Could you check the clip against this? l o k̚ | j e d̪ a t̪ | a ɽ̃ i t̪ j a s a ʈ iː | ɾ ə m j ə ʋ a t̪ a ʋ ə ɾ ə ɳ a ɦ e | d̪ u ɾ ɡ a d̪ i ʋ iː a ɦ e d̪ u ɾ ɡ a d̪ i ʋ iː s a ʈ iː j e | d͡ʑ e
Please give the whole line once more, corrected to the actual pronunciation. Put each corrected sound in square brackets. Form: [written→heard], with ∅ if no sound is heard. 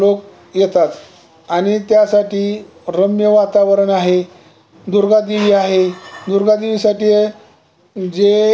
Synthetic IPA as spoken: l o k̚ | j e [d̪→t̪] a t̪ | a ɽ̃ i t̪ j a s a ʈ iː | ɾ ə m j ə ʋ a t̪ a ʋ ə ɾ ə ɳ a ɦ e | d̪ u ɾ ɡ a d̪ i ʋ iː a ɦ e d̪ u ɾ ɡ a d̪ i ʋ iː s a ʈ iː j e | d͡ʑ e